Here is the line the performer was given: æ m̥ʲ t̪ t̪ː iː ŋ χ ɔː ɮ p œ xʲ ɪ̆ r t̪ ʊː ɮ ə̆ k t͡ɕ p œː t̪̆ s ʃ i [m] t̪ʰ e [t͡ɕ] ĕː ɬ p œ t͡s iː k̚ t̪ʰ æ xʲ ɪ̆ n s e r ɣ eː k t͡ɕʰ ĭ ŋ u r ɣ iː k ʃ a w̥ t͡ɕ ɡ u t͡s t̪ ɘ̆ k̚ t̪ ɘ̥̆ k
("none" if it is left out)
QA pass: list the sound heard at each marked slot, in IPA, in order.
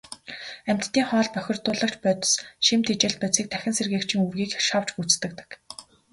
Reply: m, t͡ɕ

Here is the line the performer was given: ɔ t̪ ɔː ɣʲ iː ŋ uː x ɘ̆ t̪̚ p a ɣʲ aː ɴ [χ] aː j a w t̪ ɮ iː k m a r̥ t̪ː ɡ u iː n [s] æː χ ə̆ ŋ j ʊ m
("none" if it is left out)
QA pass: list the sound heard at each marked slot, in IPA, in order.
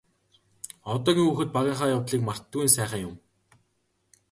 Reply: χ, s

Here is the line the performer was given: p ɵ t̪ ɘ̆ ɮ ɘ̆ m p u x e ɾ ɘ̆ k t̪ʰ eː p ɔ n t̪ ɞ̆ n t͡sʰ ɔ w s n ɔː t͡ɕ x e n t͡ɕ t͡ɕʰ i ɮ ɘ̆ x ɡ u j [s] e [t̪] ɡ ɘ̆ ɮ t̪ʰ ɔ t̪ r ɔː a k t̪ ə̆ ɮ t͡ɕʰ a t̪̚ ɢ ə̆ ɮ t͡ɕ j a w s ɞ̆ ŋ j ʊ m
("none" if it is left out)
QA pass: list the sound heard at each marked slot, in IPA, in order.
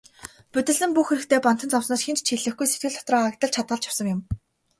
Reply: s, t̪

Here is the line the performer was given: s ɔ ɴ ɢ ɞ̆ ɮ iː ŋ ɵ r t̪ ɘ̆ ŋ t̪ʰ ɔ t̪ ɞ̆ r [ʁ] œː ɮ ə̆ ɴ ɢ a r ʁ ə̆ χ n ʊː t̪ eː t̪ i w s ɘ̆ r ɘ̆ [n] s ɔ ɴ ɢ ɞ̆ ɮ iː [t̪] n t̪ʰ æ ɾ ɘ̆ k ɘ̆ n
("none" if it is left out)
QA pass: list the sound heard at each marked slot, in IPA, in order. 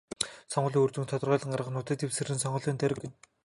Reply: ʁ, n, none

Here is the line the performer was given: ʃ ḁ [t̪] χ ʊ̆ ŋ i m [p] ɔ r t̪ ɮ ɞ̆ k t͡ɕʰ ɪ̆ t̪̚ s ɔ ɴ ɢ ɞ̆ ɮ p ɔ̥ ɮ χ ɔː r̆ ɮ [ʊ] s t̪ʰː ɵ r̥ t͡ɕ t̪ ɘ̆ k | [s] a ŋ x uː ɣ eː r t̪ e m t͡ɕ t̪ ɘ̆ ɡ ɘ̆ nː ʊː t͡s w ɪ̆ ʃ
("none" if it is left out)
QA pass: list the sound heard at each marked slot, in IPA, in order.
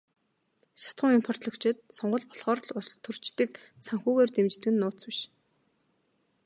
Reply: t̪, pʰ, ʊ, s

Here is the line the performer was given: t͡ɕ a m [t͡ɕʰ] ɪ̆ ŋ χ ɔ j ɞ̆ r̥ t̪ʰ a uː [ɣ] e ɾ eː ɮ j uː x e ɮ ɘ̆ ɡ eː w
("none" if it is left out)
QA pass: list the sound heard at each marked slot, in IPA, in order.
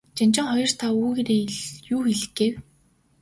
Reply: t͡ɕ, ɣ

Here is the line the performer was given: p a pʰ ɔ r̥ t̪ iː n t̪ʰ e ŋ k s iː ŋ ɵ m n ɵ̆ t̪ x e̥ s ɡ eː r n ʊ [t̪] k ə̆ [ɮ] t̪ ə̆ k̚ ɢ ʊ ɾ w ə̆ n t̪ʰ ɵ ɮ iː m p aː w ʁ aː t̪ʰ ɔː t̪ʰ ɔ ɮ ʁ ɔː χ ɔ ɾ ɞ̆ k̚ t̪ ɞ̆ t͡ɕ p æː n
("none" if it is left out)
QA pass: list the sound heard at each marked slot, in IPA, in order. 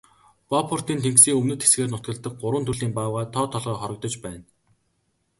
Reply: t̪, ɮ

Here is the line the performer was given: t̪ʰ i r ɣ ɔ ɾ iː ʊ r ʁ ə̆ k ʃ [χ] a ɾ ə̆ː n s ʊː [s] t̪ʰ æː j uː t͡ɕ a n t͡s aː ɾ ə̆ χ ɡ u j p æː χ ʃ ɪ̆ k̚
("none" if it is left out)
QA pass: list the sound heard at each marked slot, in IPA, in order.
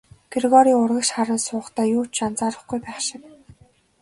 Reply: χ, χ

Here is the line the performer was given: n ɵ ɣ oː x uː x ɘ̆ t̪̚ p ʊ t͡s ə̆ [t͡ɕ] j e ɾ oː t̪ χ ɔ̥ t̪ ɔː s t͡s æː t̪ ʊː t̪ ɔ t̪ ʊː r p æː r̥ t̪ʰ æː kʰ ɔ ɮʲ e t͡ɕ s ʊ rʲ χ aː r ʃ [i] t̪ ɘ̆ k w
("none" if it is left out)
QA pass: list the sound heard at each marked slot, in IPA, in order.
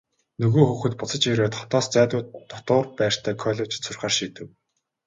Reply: t͡ɕ, iː

